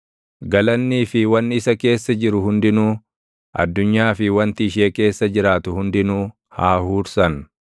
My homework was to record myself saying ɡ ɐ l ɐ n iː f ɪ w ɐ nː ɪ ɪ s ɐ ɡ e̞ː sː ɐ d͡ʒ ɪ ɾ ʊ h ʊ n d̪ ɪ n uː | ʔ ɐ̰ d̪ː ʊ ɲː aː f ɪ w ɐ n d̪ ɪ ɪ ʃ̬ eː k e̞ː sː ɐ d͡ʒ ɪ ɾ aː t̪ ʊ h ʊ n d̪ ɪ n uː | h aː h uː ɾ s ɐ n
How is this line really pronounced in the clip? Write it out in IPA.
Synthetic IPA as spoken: ɡ ɐ l ɐ nː iː f ɪ w ɐ nː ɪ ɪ s ɐ k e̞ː sː ɐ d͡ʒ ɪ ɾ ʊ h ʊ n d̪ ɪ n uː | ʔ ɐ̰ d̪ː ʊ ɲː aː f ɪ w ɐ n t̪ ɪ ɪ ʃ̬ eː k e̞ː sː ɐ d͡ʒ ɪ ɾ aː t̪ ʊ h ʊ n d̪ ɪ n uː | h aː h uː ɾ s ɐ n